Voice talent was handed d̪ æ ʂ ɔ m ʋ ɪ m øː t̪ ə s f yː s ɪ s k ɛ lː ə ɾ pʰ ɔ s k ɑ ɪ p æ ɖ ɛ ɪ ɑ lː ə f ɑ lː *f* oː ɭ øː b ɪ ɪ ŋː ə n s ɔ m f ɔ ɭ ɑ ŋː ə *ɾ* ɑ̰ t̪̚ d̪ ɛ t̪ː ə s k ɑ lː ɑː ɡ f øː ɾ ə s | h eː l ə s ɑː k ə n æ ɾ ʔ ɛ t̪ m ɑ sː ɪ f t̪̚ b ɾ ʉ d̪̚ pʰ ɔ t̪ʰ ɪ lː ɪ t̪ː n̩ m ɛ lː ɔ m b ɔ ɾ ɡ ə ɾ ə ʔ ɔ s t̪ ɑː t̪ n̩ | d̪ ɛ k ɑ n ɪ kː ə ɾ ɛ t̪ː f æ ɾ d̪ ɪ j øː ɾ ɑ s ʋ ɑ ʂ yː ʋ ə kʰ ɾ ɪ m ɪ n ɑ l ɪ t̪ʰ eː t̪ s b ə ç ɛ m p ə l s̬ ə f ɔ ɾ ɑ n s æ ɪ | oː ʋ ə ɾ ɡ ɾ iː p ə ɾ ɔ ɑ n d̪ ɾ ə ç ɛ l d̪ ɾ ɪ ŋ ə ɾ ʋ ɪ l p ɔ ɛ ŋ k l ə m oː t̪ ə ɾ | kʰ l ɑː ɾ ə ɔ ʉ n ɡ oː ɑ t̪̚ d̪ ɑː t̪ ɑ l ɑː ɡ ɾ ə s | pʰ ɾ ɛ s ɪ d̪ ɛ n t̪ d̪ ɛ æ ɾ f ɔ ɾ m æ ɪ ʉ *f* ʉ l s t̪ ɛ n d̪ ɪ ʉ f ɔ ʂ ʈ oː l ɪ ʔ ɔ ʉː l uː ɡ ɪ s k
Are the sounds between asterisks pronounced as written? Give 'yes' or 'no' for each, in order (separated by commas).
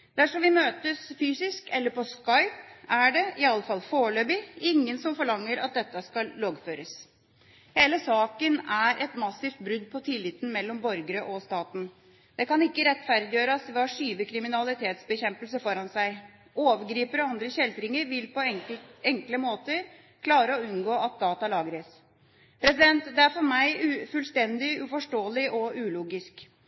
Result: yes, yes, yes